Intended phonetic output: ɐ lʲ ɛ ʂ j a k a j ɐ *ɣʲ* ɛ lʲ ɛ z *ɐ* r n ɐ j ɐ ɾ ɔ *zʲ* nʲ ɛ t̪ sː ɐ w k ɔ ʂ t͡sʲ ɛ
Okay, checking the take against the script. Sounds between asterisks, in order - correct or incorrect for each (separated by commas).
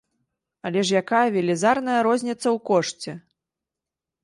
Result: incorrect, incorrect, correct